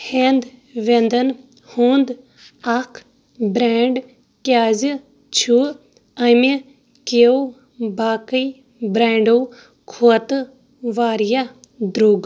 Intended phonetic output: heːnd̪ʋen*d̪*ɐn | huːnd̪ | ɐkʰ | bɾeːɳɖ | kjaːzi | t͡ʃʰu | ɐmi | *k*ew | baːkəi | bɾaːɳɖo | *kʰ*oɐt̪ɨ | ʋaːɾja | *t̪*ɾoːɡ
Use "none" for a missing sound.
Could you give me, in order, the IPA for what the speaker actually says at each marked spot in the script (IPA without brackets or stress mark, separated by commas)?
d̪, k, kʰ, d̪